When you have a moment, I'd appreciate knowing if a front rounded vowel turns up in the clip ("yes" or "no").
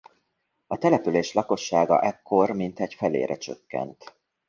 yes